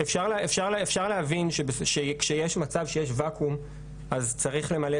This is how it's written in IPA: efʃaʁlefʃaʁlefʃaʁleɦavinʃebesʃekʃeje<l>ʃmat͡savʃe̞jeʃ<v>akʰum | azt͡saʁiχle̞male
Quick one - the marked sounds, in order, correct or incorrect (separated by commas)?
incorrect, correct